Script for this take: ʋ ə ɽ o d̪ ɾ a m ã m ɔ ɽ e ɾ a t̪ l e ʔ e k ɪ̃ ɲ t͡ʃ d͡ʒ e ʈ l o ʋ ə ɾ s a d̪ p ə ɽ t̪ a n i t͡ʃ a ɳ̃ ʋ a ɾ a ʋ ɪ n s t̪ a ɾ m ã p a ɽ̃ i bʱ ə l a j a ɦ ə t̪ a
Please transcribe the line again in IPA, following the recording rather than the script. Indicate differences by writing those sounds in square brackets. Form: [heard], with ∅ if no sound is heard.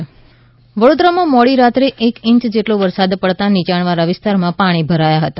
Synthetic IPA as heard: ʋ ə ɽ o d̪ ɾ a m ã m ɔ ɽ [i] ɾ a t̪ [ɾ] e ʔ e k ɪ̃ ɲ t͡ʃ d͡ʒ e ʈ l o ʋ ə ɾ s a d̪ p ə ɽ t̪ a n i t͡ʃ a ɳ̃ ʋ a ɾ a ʋ ɪ [∅] s t̪ a ɾ m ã p a ɽ̃ i bʱ ə [ɾ] a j a ɦ ə t̪ a